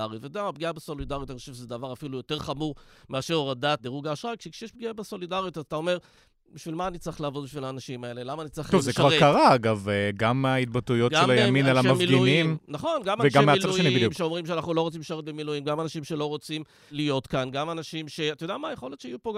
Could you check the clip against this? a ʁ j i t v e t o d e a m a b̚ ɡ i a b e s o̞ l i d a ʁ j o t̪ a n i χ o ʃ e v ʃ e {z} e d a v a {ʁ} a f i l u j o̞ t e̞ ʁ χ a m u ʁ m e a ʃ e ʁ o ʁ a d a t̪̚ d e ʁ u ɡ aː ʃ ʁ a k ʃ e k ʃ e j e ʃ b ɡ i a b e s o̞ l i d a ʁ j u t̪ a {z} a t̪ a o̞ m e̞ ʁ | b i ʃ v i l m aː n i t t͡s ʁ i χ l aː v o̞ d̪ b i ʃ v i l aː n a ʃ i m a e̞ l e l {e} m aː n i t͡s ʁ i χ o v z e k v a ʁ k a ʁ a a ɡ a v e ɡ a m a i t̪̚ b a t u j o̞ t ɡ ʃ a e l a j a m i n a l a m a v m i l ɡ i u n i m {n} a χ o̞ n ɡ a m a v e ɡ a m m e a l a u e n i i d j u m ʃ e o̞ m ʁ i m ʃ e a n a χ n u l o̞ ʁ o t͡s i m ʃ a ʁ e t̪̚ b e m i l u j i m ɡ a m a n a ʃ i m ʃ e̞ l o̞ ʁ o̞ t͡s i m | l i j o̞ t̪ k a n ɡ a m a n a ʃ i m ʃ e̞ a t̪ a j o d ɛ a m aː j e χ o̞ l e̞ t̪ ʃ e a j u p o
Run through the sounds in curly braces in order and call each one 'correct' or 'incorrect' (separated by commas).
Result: correct, correct, correct, incorrect, correct